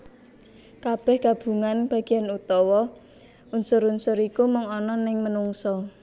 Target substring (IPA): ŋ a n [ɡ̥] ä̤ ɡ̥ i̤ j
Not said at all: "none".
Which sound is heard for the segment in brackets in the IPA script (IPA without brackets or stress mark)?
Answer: b̥